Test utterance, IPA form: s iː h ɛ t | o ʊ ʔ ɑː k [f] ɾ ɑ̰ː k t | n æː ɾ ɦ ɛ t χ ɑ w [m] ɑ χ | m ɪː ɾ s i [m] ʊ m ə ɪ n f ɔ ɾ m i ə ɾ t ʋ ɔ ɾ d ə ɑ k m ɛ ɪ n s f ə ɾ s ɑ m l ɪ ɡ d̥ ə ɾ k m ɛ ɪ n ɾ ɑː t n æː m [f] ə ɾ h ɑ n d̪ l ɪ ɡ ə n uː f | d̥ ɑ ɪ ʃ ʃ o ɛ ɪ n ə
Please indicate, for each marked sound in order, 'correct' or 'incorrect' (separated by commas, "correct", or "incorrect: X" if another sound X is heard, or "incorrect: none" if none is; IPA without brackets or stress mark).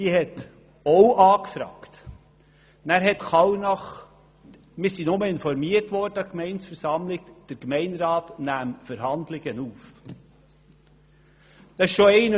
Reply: correct, incorrect: n, incorrect: n, correct